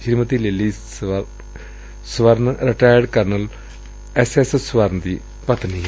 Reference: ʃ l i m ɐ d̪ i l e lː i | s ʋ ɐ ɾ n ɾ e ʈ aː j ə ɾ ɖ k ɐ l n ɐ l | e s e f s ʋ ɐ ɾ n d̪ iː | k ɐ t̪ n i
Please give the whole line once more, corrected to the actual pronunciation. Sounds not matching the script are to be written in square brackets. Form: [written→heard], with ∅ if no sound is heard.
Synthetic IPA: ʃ [l→ɾ] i m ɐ [d̪→t̪] i l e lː i | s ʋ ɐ ɾ n ɾ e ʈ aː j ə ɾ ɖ k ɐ [l→ɾ] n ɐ l | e s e [f→s] s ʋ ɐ ɾ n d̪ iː | [k→p] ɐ t̪ n i